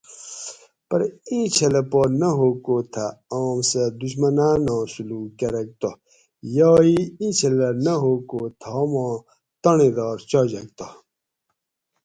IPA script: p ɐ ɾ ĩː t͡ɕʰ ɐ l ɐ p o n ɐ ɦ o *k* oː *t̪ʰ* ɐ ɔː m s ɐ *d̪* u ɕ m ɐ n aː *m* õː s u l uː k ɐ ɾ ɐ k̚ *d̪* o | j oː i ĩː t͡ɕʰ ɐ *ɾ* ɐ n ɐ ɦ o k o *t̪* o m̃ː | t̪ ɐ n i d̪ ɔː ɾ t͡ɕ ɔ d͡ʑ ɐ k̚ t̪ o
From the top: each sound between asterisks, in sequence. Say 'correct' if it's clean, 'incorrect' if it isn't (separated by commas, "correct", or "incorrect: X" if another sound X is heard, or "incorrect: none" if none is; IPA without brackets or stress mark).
correct, correct, correct, incorrect: n, incorrect: t̪, incorrect: l, incorrect: t̪ʰ